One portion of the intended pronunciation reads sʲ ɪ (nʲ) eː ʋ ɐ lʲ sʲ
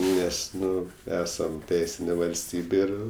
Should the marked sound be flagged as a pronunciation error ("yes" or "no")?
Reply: no